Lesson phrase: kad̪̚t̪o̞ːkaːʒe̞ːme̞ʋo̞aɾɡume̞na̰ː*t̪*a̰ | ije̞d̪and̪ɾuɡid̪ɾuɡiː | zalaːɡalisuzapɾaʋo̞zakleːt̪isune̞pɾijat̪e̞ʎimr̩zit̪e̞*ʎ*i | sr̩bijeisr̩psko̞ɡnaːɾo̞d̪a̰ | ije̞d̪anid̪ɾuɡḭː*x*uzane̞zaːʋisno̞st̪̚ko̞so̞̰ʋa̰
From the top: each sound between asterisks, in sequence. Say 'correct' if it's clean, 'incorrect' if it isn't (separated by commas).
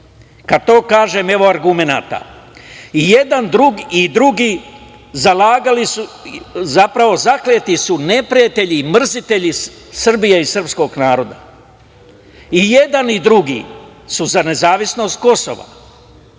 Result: correct, correct, incorrect